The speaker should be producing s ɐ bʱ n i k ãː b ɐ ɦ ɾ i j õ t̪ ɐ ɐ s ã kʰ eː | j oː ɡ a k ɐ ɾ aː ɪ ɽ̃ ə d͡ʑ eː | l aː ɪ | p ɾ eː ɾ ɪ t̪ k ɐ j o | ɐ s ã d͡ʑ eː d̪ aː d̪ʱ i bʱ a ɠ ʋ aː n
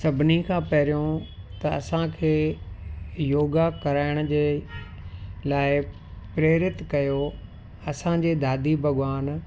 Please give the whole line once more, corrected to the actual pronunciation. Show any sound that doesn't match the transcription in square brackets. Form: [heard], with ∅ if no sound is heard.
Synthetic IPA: s ɐ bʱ n i [kʰ] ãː [p] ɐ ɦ ɾ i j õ t̪ ɐ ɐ s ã kʰ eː | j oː ɡ a k ɐ ɾ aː ɪ ɽ̃ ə d͡ʑ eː | l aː ɪ | p ɾ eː ɾ ɪ t̪ k ɐ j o | ɐ s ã d͡ʑ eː d̪ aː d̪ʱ i bʱ [ɐ] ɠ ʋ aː n